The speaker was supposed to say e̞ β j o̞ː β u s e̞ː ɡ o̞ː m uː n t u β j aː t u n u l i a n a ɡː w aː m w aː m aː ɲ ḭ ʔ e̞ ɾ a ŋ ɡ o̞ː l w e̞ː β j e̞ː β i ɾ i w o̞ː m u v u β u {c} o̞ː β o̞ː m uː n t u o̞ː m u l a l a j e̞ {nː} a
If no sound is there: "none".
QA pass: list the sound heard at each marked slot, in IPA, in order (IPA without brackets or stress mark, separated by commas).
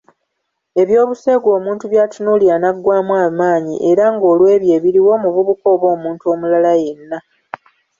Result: k, nː